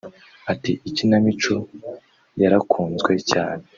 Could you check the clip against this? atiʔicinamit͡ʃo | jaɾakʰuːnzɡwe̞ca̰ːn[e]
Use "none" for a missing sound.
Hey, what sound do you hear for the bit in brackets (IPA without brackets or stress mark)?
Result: e